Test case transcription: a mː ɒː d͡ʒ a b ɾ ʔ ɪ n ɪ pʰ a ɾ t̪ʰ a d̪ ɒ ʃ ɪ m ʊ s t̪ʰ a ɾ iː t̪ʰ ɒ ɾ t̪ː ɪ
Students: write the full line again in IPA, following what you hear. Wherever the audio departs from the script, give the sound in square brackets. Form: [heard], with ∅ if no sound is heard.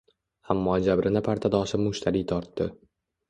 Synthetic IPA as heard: a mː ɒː d͡ʒ a b ɾ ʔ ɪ n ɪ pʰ a ɾ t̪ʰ a d̪ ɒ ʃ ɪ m ʊ [ʃ] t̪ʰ a ɾ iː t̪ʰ ɒ ɾ t̪ː ɪ